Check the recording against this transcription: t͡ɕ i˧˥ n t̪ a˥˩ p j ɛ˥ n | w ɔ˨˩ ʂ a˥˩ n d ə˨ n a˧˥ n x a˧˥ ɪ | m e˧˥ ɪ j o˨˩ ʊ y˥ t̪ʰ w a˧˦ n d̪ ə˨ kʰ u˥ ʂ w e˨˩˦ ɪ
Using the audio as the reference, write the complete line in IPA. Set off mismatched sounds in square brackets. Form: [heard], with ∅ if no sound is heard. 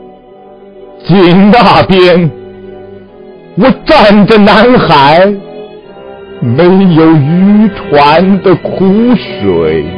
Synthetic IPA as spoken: t͡ɕ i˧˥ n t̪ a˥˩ p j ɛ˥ n | w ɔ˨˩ [ʈ͡ʂ] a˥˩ n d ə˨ n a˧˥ n x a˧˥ ɪ | m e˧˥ ɪ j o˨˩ ʊ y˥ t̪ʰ w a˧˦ n d̪ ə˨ kʰ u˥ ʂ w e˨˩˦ ɪ